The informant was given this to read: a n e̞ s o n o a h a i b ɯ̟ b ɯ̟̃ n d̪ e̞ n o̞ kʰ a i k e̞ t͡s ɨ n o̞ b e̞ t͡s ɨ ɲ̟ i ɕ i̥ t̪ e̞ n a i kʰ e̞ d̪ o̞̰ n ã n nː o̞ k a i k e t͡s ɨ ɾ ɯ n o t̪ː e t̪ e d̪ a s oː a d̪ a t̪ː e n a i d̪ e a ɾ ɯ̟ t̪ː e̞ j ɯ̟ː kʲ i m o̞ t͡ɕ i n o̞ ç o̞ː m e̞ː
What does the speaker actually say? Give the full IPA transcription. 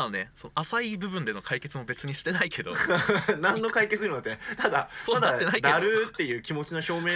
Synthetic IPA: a n e̞ s o n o a s a i b ɯ̟ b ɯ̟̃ n d̪ e̞ n o̞ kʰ a i k e̞ t͡s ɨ m o̞ b e̞ t͡s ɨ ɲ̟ i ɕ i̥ t̪ e̞ n a i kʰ e̞ d̪ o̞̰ n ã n nː o̞ k a i k e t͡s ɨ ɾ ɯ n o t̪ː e t̪ a d̪ a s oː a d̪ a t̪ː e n a i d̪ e a ɾ ɯ̟ t̪ː e̞ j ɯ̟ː kʲ i m o̞ t͡ɕ i n o̞ ç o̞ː m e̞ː